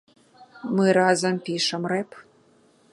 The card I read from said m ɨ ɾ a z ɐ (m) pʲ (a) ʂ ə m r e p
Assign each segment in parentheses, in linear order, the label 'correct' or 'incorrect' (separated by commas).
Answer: correct, incorrect